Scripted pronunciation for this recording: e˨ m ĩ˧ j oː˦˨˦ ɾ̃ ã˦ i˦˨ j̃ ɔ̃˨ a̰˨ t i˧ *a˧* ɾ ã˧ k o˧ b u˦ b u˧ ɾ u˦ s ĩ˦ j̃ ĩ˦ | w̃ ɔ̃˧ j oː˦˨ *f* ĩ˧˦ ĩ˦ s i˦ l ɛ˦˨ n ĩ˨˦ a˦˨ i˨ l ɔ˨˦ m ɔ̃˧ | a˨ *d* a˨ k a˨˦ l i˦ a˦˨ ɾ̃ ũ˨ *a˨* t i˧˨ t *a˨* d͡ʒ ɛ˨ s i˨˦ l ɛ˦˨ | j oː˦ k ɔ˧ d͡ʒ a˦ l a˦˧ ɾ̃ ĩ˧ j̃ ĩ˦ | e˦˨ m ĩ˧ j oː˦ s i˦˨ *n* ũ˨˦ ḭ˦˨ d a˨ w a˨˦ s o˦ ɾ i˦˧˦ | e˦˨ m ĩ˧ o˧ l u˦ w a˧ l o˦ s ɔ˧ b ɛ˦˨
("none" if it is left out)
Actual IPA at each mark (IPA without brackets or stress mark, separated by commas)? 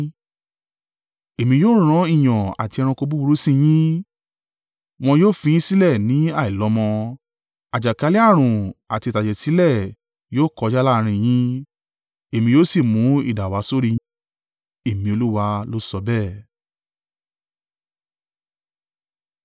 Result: ɛ˧, f, d͡ʒ, a˨, a˨, m